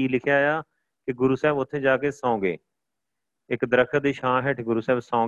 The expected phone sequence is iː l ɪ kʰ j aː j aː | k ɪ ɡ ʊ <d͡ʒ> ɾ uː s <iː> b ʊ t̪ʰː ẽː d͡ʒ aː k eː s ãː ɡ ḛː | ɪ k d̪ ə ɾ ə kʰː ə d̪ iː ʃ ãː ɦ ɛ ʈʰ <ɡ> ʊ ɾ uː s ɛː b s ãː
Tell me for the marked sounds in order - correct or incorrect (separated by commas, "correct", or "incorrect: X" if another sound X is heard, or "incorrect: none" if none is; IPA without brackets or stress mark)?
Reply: incorrect: none, incorrect: ɛː, correct